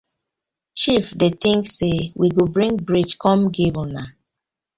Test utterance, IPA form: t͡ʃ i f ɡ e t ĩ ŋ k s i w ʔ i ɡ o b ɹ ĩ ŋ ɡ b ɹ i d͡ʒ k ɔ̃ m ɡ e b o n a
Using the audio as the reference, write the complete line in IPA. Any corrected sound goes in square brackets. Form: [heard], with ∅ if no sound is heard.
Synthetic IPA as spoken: t͡ʃ i f [d] e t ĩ ŋ k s [e] w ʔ i ɡ o b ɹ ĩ ŋ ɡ b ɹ i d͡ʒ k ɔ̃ m ɡ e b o n a